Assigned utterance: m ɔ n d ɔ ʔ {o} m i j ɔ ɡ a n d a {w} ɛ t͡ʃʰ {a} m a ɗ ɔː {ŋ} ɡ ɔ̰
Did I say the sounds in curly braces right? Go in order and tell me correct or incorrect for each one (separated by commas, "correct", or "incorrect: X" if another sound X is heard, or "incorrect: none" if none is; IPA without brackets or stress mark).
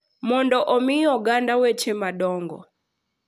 incorrect: ɔ, correct, incorrect: ɛ, correct